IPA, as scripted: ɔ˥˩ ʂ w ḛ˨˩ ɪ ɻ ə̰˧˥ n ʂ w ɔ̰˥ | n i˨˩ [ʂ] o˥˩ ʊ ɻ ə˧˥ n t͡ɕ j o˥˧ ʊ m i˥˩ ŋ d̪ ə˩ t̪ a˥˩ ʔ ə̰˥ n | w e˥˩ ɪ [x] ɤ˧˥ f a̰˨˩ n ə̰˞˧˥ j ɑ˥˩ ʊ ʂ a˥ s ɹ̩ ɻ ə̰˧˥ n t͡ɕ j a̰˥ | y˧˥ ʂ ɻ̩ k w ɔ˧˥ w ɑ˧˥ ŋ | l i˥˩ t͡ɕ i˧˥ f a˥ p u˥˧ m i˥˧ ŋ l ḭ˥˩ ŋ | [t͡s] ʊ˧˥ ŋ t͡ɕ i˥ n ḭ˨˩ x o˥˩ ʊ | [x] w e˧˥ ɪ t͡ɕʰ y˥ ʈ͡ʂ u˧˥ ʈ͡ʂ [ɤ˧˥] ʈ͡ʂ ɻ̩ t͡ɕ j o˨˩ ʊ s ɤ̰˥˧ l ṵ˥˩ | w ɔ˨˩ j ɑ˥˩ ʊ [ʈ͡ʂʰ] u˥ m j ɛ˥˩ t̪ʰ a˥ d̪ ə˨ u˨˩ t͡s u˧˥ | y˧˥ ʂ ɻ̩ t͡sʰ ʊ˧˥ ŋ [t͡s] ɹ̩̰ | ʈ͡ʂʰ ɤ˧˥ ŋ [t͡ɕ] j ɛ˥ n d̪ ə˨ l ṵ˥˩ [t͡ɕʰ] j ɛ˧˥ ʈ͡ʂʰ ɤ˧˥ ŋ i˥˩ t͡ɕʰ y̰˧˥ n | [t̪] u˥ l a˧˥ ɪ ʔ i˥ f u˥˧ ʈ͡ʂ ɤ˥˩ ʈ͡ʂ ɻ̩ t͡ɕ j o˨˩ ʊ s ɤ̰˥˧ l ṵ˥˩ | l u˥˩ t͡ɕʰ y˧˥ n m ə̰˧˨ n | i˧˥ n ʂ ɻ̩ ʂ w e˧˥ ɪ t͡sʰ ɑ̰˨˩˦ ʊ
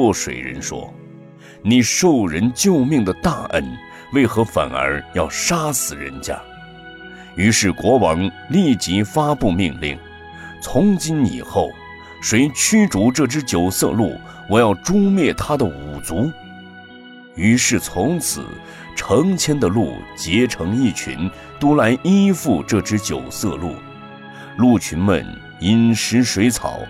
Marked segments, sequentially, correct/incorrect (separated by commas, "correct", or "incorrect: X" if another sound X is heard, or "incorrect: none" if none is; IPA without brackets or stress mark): correct, correct, incorrect: t͡sʰ, incorrect: ʂ, incorrect: ɤ˥˩, incorrect: ʈ͡ʂ, incorrect: t͡sʰ, incorrect: t͡ɕʰ, incorrect: t͡ɕ, correct